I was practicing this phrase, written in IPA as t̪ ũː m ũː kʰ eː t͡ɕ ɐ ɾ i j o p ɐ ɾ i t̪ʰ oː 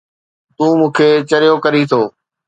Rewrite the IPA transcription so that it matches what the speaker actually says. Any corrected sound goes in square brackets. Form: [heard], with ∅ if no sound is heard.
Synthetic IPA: t̪ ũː m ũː kʰ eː t͡ɕ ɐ ɾ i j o [k] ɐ ɾ i t̪ʰ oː